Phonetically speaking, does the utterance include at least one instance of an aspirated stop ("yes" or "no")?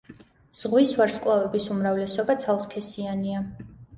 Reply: yes